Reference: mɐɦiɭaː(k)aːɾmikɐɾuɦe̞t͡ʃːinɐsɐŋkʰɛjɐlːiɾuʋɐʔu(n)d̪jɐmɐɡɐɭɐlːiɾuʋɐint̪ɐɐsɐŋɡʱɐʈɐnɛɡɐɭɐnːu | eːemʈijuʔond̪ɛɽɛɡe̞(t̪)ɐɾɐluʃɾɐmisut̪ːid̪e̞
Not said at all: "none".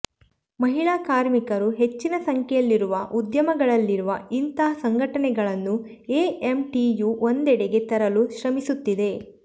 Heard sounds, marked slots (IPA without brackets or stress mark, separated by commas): k, none, t̪